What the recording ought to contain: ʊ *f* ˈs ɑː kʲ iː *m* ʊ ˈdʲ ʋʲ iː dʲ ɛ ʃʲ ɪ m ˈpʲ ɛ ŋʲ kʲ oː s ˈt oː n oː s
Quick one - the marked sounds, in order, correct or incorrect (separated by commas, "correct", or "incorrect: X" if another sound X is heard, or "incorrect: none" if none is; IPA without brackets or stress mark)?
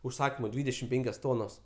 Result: incorrect: ʃ, correct